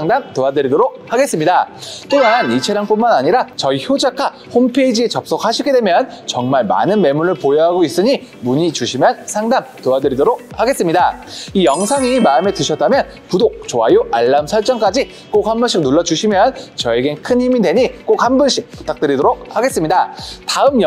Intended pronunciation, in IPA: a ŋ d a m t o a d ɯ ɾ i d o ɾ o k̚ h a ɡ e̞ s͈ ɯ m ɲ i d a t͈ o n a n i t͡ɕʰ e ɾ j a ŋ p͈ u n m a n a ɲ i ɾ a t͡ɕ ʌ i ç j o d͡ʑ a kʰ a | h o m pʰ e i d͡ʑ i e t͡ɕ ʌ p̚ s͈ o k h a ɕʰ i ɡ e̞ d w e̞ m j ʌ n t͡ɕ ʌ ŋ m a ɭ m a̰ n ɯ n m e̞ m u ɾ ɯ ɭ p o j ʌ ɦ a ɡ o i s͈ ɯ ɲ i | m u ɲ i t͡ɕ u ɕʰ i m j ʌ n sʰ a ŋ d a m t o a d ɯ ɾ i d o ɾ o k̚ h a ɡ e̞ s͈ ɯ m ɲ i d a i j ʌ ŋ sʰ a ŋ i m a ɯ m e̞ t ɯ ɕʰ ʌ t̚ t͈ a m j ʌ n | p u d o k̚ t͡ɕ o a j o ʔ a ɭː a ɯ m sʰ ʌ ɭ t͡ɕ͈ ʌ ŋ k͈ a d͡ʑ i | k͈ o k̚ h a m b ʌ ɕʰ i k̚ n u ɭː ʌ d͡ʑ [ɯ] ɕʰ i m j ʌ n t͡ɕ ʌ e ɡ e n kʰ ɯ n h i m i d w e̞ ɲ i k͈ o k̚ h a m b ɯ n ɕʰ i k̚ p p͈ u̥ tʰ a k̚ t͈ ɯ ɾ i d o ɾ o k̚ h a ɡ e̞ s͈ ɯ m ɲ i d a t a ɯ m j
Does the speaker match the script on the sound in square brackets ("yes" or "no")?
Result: no